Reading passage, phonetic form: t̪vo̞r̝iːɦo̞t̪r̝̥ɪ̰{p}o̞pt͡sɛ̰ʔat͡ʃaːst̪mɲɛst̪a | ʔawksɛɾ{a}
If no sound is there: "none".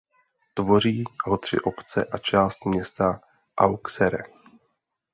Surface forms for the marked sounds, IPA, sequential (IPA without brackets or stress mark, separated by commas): ʔ, ɛ